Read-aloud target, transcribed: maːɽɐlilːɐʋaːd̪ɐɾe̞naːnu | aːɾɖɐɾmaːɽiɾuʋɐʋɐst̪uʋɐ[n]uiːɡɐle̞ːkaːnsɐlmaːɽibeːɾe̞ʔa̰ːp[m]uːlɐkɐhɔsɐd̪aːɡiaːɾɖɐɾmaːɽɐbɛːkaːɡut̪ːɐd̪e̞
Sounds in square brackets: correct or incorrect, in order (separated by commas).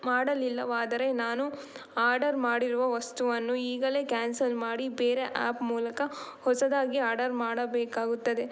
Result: incorrect, correct